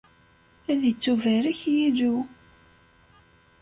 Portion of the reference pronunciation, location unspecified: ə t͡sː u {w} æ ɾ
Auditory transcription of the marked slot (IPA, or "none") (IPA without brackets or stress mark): v